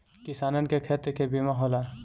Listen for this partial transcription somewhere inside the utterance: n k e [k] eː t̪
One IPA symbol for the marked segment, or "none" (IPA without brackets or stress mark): kʰ